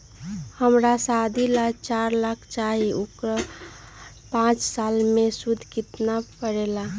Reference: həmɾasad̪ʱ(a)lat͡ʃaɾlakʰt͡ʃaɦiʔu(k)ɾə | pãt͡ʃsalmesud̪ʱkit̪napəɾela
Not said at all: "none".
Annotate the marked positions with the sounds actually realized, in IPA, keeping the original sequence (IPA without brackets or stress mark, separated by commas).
i, k